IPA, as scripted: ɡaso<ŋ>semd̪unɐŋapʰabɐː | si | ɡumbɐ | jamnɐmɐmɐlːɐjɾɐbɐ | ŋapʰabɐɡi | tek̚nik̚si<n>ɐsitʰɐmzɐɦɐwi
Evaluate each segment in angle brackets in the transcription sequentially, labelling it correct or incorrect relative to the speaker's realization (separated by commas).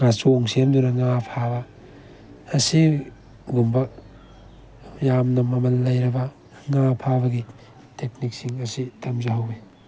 correct, incorrect